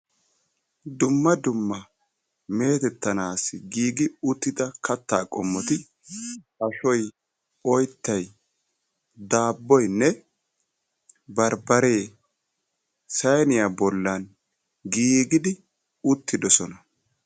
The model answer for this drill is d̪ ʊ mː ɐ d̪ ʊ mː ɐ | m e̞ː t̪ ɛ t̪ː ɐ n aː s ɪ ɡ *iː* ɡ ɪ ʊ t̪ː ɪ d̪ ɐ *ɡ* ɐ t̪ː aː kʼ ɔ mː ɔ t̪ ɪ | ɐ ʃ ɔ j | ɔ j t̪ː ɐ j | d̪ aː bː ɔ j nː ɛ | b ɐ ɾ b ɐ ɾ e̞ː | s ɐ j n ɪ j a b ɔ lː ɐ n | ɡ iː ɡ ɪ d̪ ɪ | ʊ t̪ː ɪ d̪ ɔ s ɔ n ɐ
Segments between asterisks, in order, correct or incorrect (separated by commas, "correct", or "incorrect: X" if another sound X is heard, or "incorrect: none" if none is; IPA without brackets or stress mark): correct, incorrect: k